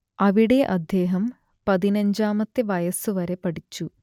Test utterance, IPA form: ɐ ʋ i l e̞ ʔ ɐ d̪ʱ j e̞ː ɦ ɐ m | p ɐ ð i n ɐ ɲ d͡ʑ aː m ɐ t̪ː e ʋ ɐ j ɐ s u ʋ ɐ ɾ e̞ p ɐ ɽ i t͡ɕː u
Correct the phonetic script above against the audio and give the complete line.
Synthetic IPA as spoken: ɐ ʋ i ɽ e̞ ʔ ɐ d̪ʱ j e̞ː ɦ ɐ m | p ɐ ð i n ɐ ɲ d͡ʑ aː m ɐ t̪ː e ʋ ɐ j ɐ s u ʋ ɐ ɾ e̞ p ɐ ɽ i t͡ɕː u